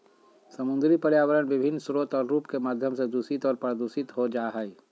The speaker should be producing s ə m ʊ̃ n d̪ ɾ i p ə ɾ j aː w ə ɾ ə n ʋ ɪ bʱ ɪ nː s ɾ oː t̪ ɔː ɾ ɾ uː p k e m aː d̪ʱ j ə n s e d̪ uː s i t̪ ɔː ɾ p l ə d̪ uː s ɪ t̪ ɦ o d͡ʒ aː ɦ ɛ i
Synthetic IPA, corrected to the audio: s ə m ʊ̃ n d̪ ɾ i p ə ɾ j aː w ə ɾ ə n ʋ ɪ bʱ ɪ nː s ɾ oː t̪ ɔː ɾ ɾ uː p k e m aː d̪ʱ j ə m s e d̪ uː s i t̪ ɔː ɾ p ɾ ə d̪ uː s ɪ t̪ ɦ o d͡ʒ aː ɦ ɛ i